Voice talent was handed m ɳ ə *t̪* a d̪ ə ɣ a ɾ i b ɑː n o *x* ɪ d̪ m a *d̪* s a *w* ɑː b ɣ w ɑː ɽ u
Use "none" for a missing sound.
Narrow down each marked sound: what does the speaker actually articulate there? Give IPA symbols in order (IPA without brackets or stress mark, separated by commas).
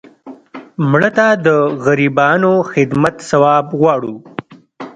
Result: t̪, x, t̪, w